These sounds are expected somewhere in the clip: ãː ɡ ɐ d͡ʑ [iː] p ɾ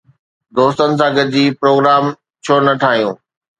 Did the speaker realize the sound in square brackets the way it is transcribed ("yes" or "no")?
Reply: yes